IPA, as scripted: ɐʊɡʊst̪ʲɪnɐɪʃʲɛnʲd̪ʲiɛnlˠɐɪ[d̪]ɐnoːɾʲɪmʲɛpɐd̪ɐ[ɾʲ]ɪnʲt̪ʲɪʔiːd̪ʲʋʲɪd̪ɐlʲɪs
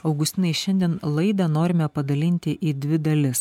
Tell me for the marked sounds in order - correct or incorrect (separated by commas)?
correct, incorrect